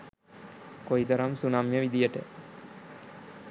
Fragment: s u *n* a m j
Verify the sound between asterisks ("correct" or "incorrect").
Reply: correct